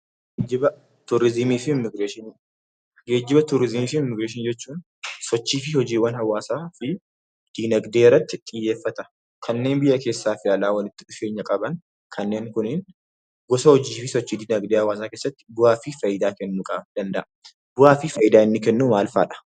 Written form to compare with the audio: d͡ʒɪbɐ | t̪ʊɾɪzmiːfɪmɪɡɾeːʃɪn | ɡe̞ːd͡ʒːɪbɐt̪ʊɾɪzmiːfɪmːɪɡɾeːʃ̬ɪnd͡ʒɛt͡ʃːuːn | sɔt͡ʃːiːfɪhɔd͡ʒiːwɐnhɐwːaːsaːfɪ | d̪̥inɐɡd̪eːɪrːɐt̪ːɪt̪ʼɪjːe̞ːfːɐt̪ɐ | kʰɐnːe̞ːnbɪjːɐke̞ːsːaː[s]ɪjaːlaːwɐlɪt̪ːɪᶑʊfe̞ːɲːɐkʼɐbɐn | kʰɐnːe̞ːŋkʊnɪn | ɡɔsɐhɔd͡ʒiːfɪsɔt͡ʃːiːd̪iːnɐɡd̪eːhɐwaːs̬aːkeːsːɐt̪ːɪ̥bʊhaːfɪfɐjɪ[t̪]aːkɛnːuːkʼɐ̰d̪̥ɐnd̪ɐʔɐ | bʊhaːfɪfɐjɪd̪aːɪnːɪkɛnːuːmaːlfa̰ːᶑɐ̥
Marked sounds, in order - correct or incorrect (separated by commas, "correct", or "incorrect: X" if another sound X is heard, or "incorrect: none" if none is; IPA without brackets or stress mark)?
incorrect: f, incorrect: d̪